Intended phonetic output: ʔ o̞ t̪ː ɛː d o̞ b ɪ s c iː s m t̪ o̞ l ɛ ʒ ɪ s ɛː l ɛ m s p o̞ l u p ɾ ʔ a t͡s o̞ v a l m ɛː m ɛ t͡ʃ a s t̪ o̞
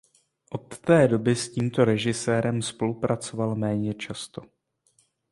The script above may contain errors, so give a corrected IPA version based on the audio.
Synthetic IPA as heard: ʔ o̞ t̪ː ɛː d o̞ b ɪ s c iː m t̪ o̞ ɾ ɛ ʒ ɪ s ɛː ɾ ɛ m s p o̞ l u p ɾ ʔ a t͡s o̞ v a l m ɛː ɲ ɛ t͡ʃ a s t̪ o̞